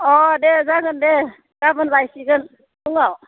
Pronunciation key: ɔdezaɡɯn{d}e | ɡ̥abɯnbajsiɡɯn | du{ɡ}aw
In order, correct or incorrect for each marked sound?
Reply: correct, incorrect: ŋ

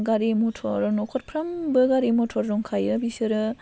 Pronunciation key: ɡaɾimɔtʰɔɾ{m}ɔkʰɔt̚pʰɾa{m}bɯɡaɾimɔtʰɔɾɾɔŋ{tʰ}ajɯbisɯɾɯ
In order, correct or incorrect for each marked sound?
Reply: incorrect: n, correct, incorrect: kʰ

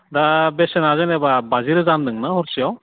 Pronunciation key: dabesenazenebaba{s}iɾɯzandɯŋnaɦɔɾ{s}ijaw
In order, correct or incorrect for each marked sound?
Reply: incorrect: z, correct

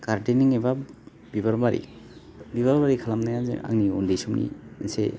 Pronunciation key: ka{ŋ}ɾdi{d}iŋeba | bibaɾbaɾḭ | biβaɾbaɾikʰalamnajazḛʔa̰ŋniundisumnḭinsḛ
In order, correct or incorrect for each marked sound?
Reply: incorrect: none, incorrect: n

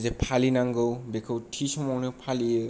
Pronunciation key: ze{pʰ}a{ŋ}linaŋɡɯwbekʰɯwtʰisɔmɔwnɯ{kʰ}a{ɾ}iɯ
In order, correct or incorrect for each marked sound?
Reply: correct, incorrect: none, incorrect: pʰ, incorrect: l

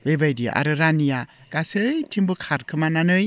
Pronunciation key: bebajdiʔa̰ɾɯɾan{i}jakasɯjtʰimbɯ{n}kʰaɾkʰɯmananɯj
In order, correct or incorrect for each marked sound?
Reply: correct, incorrect: none

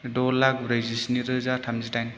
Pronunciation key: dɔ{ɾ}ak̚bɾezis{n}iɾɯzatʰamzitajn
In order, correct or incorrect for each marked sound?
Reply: incorrect: l, correct

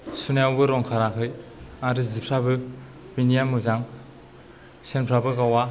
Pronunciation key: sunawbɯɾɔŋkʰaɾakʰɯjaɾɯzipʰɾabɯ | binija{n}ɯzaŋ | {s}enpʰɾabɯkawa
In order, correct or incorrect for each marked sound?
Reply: incorrect: m, correct

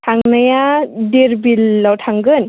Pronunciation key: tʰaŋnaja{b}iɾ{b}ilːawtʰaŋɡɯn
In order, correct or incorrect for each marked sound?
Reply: incorrect: d, correct

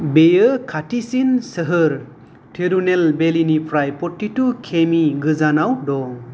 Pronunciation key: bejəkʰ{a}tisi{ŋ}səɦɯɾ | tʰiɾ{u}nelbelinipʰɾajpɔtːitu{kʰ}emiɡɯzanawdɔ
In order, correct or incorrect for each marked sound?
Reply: correct, incorrect: n, correct, correct

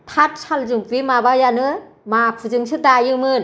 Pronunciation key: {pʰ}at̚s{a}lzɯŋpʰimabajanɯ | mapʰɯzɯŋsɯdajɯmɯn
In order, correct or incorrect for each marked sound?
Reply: incorrect: tʰ, correct

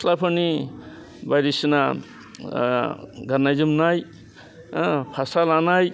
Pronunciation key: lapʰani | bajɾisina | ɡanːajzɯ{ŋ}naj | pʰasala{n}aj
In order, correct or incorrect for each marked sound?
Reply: incorrect: m, correct

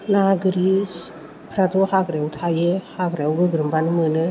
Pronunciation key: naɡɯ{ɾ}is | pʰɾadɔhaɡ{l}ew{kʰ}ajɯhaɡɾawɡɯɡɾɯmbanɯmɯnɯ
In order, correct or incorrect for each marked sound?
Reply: correct, incorrect: ɾ, incorrect: tʰ

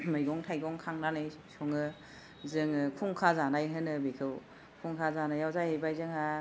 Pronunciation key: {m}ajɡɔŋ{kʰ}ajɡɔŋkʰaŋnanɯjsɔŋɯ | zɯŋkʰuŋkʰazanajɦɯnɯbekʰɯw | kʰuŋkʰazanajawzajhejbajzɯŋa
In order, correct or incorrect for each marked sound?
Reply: correct, incorrect: tʰ

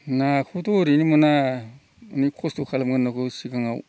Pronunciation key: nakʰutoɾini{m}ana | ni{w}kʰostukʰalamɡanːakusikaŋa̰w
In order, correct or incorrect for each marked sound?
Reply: correct, incorrect: none

